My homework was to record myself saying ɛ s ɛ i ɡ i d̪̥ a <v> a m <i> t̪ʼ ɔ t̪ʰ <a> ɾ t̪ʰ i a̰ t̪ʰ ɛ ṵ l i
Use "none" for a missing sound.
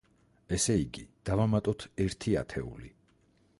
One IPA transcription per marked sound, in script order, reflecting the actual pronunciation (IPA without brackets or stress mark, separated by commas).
v, a, ɛ